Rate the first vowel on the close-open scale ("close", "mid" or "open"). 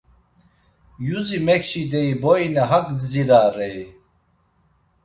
close